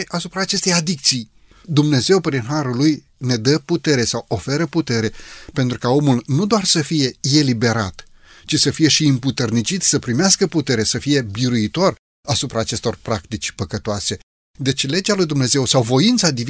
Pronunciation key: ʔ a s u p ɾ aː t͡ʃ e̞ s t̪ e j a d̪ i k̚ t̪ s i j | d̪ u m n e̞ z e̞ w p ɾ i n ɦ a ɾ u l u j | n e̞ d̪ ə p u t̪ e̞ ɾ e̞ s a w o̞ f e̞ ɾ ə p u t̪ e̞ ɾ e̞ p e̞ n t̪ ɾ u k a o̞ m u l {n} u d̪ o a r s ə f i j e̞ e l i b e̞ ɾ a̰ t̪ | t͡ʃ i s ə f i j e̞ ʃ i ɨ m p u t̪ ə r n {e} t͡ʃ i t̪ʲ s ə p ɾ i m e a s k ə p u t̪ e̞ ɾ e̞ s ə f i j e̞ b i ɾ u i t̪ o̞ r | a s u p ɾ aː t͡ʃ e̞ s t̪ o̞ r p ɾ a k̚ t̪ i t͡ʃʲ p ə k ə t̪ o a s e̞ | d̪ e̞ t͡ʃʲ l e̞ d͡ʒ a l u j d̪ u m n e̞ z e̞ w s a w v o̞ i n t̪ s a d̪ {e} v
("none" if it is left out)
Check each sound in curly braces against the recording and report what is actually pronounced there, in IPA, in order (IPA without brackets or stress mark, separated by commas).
n, i, i